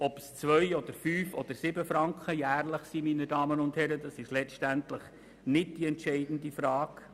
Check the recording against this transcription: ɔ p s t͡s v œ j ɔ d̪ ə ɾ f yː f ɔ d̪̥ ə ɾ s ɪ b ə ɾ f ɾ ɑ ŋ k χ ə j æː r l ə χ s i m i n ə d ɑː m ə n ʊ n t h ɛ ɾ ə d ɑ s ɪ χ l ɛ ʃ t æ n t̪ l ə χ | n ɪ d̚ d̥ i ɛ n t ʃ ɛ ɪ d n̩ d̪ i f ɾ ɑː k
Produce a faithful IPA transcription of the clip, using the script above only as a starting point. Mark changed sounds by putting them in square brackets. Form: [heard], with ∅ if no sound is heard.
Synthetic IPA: ɔ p s t͡s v œ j ɔ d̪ ə ɾ f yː f ɔ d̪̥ ə ɾ s ɪ b ə [∅] f ɾ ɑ ŋ k χ ə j æː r l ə χ s i m i n ə d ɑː m ə n ʊ n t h ɛ ɾ ə d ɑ s ɪ [ʃ] l ɛ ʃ t æ n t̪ l ə χ | n ɪ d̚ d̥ i ɛ n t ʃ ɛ ɪ d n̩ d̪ i f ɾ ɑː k